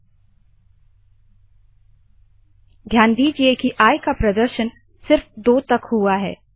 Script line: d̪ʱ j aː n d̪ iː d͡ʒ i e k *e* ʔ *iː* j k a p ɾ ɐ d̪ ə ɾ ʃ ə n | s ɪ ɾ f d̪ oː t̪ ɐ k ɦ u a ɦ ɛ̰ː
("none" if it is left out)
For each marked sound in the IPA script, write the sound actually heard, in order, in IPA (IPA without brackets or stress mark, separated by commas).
i, aː